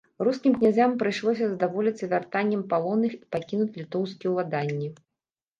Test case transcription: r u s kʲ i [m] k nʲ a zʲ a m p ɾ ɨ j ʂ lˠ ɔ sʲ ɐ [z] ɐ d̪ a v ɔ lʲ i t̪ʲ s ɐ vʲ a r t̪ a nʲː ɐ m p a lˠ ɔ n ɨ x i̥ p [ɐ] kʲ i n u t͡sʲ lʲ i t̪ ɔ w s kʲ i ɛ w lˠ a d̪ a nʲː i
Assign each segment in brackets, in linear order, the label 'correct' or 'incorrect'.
correct, correct, incorrect

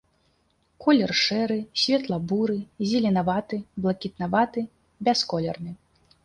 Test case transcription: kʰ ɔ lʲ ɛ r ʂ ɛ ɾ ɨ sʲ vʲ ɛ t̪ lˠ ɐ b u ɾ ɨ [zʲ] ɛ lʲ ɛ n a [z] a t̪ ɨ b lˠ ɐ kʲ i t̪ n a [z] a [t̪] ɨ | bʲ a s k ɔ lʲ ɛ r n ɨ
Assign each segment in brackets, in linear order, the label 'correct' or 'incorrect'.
correct, incorrect, incorrect, correct

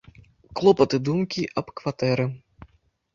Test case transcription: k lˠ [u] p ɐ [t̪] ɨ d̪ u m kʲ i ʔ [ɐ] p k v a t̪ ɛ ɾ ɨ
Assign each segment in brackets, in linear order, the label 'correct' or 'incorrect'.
incorrect, correct, correct

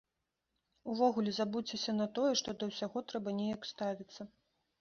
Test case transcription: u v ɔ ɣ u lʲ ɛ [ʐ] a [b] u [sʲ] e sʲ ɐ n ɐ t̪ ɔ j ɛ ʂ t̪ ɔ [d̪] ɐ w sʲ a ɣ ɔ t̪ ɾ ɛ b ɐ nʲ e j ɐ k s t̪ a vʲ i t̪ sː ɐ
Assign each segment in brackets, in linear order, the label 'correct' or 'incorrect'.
incorrect, correct, incorrect, correct

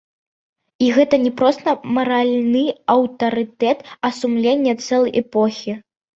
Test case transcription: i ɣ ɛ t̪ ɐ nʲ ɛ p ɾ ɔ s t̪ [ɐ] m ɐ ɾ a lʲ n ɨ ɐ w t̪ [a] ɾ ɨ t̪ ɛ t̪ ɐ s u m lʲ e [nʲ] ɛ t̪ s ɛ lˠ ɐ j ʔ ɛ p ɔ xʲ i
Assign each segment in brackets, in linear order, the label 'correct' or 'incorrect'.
correct, incorrect, incorrect

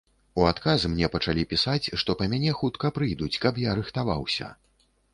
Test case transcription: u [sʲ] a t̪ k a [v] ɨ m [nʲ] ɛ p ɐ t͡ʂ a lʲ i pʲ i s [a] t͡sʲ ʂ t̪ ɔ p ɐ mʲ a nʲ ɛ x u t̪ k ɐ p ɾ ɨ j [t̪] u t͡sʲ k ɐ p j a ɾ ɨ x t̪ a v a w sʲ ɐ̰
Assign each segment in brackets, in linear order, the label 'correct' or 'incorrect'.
incorrect, incorrect, correct, correct, incorrect

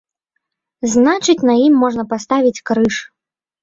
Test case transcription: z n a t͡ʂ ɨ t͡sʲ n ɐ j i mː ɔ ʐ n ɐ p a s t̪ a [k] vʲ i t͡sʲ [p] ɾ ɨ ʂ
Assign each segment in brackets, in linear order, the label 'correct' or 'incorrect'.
incorrect, incorrect

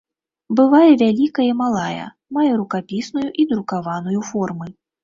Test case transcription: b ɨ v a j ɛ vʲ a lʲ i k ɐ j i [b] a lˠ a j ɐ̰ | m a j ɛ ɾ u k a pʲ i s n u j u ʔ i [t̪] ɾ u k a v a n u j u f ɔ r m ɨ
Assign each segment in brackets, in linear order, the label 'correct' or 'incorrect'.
incorrect, incorrect

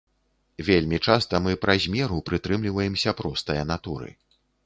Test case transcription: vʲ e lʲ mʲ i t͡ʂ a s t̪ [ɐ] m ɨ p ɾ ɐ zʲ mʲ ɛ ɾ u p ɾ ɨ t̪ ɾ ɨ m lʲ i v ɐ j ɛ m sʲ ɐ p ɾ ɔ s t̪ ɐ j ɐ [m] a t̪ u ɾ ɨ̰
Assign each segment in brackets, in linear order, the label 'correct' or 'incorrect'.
correct, incorrect

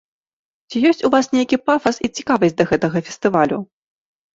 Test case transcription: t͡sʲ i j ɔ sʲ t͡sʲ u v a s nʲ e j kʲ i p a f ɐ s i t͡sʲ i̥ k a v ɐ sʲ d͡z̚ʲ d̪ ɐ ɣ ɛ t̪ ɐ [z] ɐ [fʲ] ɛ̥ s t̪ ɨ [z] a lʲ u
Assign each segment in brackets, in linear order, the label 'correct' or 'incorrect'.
incorrect, correct, incorrect

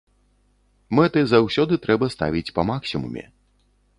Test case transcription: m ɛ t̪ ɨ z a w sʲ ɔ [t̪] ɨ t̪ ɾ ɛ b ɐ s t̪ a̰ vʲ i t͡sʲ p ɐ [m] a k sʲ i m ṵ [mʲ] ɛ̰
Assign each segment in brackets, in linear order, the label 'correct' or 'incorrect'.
incorrect, correct, correct

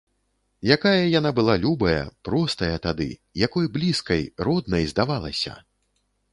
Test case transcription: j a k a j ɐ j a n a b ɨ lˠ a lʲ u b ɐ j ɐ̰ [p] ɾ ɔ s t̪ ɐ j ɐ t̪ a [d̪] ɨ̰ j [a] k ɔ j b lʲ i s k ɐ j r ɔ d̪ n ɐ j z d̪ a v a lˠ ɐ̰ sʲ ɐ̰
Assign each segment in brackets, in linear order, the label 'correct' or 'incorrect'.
correct, correct, correct

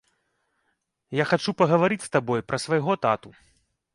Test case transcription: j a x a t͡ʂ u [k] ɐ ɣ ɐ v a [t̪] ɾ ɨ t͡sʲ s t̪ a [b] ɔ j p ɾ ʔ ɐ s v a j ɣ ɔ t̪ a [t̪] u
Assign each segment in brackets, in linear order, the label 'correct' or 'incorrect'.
incorrect, incorrect, correct, correct

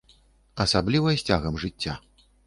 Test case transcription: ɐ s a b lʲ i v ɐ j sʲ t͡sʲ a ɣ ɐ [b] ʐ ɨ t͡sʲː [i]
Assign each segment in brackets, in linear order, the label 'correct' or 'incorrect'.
incorrect, incorrect

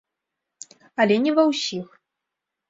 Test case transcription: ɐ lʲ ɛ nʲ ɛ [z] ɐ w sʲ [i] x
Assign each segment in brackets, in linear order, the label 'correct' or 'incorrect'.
incorrect, correct

